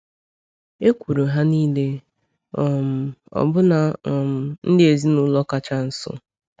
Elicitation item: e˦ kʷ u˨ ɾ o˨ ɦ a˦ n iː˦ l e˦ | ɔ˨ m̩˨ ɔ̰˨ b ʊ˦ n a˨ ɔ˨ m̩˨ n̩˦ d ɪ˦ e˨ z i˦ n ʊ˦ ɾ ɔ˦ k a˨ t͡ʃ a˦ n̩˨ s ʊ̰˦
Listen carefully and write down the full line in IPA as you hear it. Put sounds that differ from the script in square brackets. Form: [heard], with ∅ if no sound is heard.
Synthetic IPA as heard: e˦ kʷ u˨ ɾ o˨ ɦ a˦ n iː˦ l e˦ | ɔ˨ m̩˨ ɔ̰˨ b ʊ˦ n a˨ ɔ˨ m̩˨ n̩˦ d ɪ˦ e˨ z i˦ n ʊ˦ [l] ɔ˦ k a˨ t͡ʃ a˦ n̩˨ s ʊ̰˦